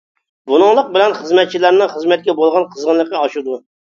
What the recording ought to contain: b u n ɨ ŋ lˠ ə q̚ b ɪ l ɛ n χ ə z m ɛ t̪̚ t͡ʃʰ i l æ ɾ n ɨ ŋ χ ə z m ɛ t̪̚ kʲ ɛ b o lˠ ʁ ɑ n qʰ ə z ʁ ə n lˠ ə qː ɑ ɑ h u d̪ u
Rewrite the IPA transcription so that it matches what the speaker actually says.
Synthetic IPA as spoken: b u n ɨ ŋ lˠ ə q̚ b ɪ l ɛ n χ ə z m ɛ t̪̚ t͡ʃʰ i l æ ɾ n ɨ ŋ χ ə z m ɛ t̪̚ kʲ ɛ b o lˠ ʁ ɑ n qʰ ə z ʁ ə n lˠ ə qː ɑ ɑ ʃ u d̪ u